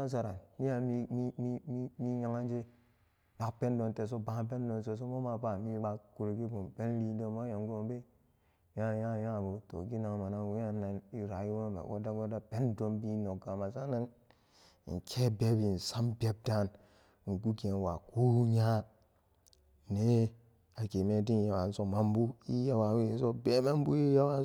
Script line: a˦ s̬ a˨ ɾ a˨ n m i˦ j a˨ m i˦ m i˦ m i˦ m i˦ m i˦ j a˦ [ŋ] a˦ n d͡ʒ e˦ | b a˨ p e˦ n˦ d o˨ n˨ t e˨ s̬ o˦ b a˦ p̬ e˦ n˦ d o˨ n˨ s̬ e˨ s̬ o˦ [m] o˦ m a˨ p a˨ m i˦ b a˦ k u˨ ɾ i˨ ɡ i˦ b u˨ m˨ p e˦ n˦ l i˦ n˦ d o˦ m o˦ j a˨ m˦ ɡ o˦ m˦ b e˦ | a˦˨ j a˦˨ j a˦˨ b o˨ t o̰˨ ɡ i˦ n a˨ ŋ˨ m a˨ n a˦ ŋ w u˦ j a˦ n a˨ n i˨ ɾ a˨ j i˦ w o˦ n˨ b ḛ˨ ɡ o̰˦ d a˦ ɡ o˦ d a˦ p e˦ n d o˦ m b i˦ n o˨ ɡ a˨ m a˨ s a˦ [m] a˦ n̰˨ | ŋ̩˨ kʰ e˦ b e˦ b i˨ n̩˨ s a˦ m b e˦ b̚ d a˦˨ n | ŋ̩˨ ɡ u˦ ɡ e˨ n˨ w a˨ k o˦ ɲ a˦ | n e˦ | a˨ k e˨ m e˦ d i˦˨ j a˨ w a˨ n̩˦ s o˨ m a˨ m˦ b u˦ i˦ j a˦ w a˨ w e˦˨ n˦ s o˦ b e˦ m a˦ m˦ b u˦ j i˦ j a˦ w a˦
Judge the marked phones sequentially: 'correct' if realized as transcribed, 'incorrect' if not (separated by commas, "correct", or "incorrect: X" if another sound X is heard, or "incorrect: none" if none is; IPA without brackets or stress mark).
correct, correct, incorrect: n